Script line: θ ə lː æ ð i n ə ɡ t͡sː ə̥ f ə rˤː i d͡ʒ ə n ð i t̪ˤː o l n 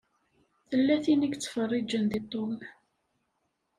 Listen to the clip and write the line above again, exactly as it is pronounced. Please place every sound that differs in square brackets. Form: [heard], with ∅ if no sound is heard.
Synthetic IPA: θ ə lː æ [θ] i n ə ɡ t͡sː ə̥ f ə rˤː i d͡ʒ ə n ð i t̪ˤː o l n